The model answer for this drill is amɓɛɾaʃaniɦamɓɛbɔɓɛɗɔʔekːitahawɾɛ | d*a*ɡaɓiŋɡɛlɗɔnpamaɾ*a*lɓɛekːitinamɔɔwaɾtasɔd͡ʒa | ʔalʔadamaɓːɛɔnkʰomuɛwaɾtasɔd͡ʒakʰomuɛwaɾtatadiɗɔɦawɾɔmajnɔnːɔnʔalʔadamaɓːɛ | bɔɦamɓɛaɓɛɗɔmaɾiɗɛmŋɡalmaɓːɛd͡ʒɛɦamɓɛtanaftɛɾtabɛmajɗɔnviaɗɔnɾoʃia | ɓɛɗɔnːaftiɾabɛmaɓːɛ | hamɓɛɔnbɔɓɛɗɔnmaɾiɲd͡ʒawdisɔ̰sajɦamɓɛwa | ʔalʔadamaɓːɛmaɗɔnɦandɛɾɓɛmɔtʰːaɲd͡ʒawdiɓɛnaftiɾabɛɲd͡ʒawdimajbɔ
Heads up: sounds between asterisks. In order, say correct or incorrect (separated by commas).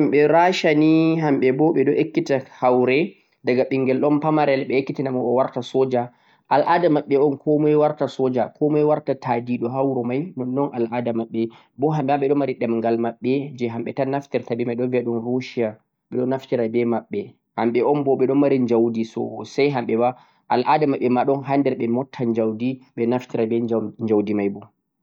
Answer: correct, incorrect